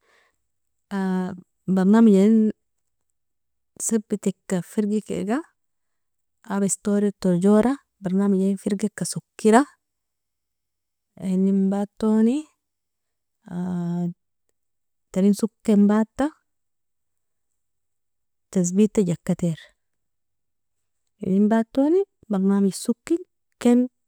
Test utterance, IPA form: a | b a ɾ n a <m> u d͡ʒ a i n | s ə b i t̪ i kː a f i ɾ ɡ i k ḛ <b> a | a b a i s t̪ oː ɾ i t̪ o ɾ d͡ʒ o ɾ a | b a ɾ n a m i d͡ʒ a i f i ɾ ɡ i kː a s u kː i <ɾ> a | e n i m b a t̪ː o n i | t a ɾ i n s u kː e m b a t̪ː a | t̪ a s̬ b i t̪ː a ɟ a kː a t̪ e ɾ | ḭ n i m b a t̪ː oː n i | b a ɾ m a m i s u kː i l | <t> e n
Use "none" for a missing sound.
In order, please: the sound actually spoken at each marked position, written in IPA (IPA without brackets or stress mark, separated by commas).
m, ɡ, ɾ, k